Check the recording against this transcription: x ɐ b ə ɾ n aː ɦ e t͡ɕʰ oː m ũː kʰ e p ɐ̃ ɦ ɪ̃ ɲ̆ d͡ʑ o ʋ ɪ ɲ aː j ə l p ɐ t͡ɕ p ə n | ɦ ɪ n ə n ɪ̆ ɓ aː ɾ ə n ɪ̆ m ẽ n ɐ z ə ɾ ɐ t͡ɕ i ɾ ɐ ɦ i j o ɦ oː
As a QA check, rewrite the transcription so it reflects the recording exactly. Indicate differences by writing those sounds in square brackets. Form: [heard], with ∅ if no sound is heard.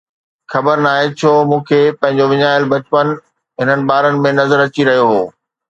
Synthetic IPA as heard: x ɐ b ə ɾ n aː ɦ e t͡ɕʰ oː m ũː kʰ e p ɐ̃ ɦ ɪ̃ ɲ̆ d͡ʑ o ʋ ɪ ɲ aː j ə l [b] ɐ t͡ɕ p ə n | ɦ ɪ n ə n ɪ̆ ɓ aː ɾ ə n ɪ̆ m ẽ n ɐ z ə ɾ ɐ t͡ɕ i ɾ ɐ ɦ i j o ɦ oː